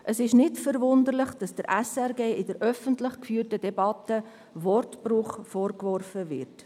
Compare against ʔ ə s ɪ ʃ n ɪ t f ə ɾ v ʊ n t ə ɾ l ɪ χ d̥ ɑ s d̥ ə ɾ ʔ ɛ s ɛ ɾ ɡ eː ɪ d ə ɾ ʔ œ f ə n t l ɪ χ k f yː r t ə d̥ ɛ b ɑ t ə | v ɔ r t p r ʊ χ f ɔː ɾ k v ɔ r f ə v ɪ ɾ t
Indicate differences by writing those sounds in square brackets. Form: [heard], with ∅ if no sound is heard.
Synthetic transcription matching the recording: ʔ ə s ɪ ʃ n ɪ t f ə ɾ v ʊ n [d] ə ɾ l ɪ χ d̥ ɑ s d̥ ə ɾ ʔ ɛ s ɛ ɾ ɡ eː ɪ d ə ɾ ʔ œ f ə n t l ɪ χ k f yː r t ə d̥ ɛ b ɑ t ə | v ɔ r t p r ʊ χ f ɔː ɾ k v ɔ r f ə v ɪ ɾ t